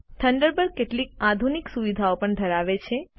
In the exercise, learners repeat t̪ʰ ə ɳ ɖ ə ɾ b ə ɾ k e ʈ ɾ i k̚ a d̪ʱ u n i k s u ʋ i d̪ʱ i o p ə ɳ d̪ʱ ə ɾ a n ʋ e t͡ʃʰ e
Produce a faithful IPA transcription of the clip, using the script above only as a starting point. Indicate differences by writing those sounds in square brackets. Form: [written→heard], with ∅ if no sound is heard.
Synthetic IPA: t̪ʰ ə ɳ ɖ ə ɾ b ə ɾ k e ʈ [ɾ→l] i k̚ a d̪ʱ u n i k s u ʋ i d̪ʱ [i→a] o p ə ɳ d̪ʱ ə ɾ a [n→∅] ʋ e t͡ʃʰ e